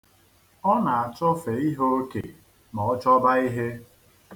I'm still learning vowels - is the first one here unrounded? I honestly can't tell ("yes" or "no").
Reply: no